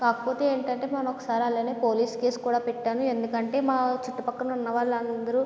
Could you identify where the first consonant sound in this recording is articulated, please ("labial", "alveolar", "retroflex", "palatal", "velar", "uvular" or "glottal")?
velar